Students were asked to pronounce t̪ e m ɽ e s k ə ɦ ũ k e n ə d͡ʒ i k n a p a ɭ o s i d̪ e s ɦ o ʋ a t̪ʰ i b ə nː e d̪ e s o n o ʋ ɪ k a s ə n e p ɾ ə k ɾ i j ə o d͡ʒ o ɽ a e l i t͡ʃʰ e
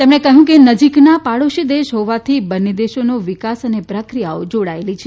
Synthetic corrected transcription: t̪ e m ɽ e k ə ɦ ũ k e n ə d͡ʒ i k n a p a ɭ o ʃ i d̪ e ʃ ɦ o ʋ a t̪ʰ i b ə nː e d̪ e ʃ o n o ʋ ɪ k a s ə n e p ɾ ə k ɾ i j a o d͡ʒ o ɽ a e l i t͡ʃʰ e